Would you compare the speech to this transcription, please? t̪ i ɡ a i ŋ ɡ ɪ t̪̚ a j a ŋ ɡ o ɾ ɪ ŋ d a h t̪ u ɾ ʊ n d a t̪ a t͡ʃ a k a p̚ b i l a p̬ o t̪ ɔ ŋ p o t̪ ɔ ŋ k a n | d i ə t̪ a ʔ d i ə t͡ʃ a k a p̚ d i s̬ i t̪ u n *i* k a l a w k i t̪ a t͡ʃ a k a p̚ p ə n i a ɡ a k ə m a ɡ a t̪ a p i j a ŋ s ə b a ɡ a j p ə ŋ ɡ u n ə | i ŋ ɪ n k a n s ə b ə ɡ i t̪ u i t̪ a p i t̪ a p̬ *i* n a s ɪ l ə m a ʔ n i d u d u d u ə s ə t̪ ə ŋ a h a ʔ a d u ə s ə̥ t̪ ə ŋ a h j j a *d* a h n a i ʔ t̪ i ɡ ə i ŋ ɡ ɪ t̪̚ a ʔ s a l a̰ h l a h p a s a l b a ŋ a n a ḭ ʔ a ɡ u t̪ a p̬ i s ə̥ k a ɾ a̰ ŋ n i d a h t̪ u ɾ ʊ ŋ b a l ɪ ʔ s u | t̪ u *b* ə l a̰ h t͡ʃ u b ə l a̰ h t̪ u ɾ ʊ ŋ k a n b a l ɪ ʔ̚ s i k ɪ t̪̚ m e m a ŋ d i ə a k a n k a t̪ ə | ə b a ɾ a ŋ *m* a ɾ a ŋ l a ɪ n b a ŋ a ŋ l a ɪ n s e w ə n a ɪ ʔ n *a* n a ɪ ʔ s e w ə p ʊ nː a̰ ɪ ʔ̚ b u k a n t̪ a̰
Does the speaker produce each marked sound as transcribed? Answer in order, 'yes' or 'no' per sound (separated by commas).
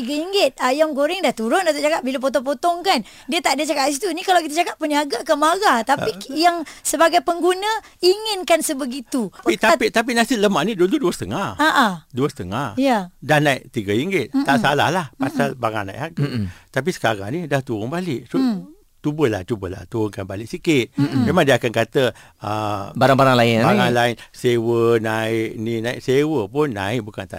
yes, yes, yes, yes, no, no